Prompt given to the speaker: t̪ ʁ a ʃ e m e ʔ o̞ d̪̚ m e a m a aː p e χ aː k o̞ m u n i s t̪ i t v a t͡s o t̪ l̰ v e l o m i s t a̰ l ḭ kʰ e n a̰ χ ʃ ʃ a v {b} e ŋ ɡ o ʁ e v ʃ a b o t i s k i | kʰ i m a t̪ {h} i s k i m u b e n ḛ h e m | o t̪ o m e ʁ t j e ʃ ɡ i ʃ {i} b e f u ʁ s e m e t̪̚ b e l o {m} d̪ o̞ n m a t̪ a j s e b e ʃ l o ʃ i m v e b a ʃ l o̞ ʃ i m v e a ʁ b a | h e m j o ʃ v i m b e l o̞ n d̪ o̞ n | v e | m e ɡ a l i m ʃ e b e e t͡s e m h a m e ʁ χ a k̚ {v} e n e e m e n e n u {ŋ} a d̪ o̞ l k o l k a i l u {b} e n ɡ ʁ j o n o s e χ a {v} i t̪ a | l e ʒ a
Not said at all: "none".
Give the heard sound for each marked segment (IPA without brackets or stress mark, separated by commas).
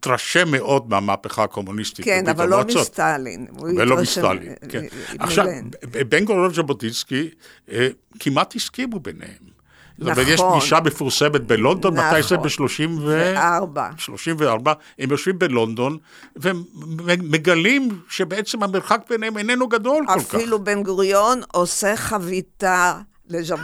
b, h, a, n, b, ɡ, b, v